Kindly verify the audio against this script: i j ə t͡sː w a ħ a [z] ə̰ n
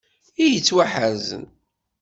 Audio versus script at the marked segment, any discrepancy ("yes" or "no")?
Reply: no